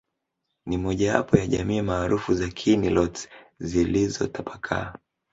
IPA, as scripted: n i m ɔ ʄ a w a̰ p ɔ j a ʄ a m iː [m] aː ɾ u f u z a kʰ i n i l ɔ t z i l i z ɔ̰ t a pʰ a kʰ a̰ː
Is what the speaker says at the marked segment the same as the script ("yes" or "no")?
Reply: yes